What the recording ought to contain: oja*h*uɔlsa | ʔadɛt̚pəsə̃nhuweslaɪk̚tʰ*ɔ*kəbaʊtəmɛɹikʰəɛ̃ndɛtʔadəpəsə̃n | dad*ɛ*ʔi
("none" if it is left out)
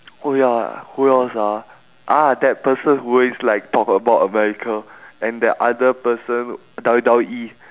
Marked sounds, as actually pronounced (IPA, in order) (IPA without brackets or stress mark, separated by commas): h, ɔ, a